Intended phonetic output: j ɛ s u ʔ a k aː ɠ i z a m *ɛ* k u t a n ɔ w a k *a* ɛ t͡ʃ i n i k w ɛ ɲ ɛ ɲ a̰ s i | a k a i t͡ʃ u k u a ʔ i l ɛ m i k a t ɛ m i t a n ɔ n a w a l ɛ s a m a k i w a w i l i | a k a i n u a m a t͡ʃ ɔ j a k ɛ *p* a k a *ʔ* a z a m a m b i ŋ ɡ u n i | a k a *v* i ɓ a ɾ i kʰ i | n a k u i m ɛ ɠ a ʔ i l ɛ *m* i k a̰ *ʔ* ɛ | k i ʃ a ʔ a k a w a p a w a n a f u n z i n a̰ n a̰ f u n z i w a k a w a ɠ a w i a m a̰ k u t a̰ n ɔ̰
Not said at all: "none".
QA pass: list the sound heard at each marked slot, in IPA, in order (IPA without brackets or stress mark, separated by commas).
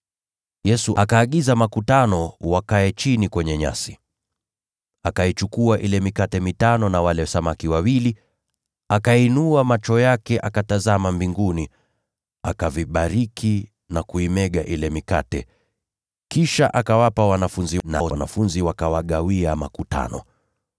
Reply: a, a, ʔ, t, v, m, t